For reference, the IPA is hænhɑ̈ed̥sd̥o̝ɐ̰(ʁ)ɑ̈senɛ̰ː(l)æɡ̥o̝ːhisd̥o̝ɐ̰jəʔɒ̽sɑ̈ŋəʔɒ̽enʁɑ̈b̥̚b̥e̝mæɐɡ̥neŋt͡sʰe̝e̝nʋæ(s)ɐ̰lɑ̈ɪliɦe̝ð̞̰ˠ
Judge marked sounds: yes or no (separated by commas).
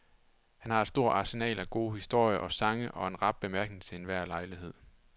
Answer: no, yes, no